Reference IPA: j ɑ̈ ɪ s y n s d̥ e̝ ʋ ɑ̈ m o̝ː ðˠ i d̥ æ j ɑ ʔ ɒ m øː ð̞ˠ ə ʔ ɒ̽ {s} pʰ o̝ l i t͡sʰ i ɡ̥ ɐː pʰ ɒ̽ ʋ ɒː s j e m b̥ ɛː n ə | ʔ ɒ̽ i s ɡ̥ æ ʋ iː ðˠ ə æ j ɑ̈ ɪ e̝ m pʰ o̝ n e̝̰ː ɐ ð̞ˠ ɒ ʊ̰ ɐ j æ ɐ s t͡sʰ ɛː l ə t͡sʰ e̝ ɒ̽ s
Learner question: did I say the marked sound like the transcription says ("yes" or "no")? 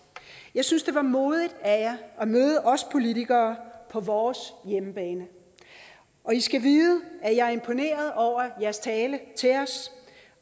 yes